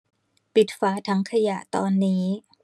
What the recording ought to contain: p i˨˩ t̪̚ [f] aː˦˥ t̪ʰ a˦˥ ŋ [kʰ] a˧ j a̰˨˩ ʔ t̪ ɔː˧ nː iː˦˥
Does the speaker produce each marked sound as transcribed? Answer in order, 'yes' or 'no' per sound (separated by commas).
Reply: yes, yes